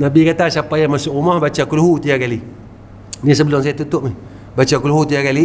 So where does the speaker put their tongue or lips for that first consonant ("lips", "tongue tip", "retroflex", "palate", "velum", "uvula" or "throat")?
tongue tip